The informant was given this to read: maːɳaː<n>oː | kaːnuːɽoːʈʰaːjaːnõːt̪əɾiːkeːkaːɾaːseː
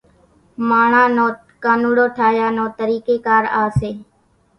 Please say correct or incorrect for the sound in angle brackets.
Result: correct